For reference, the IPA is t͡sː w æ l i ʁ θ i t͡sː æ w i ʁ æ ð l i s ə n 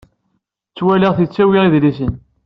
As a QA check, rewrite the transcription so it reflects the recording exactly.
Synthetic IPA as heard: t͡sː w æ l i ʁ θ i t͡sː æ w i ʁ i ð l i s ə n